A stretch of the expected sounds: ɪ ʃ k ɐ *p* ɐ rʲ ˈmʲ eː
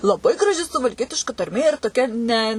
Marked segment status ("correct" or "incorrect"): incorrect